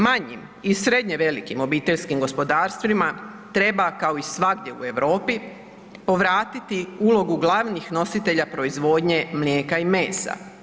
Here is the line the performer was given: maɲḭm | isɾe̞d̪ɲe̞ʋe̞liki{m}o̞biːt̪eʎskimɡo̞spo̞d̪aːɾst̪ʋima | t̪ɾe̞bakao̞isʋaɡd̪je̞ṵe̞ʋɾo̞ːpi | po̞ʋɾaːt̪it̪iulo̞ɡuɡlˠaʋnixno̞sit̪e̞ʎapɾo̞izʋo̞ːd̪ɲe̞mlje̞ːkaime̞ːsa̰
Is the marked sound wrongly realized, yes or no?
no